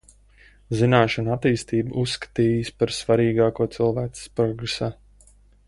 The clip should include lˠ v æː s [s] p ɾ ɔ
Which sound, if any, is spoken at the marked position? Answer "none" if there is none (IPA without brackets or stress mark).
s